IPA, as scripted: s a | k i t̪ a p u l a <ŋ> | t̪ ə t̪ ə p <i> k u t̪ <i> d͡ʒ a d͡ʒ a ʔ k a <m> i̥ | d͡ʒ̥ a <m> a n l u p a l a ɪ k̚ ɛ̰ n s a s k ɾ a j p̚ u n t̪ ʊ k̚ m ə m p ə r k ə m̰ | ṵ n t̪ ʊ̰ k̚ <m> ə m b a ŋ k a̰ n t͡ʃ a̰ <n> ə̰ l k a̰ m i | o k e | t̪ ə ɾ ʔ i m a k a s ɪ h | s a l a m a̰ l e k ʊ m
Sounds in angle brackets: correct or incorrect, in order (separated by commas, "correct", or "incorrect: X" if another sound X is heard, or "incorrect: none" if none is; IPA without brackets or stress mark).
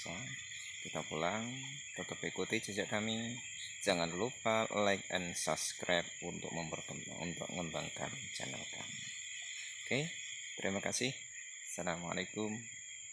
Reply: correct, correct, correct, correct, incorrect: ŋ, incorrect: ŋ, correct